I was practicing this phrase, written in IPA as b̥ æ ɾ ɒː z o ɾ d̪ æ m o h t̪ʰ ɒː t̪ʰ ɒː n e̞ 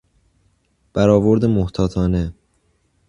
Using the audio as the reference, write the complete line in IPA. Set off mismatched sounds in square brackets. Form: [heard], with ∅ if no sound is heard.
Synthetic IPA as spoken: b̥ æ ɾ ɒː [v] o ɾ d̪ [e] m o h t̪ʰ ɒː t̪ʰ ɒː n e̞